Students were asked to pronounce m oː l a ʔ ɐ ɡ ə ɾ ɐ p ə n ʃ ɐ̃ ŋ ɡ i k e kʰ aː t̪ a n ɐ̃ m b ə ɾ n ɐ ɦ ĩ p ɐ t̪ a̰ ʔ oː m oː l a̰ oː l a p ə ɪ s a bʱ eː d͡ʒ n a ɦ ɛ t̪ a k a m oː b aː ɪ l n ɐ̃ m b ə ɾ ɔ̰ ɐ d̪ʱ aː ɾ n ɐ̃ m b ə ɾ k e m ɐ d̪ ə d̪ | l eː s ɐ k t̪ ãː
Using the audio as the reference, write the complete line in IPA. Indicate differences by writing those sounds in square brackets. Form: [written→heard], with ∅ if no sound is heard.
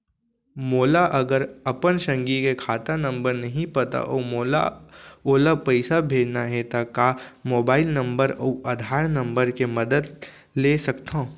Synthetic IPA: m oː l a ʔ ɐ ɡ ə ɾ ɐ p ə n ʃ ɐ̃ ŋ ɡ i k e kʰ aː t̪ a n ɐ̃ m b ə ɾ n ɐ ɦ ĩ p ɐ t̪ a̰ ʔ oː m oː l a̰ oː l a p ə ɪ s a bʱ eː d͡ʒ n a ɦ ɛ t̪ a k a m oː b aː ɪ l n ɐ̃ m b ə ɾ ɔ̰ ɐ d̪ʱ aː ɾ n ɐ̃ m b ə ɾ k e m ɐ d̪ ə d̪ | l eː s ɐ k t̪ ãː